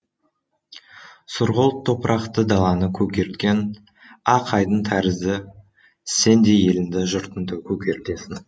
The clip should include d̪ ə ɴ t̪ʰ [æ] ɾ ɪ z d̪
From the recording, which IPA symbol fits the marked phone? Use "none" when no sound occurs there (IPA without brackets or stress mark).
æ